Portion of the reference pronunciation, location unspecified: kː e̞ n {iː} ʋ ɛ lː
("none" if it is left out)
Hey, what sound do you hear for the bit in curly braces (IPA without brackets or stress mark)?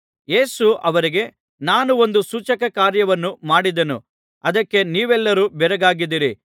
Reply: iː